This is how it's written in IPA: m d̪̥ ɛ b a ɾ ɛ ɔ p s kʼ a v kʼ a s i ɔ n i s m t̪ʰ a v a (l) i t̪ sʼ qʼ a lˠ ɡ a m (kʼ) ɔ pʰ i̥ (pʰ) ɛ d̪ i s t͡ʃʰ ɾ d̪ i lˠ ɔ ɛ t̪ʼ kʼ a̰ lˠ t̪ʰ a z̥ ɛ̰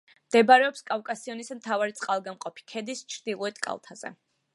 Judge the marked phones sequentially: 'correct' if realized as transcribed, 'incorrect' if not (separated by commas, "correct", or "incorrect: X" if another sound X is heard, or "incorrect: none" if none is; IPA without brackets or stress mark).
incorrect: ɾ, incorrect: qʼ, incorrect: kʰ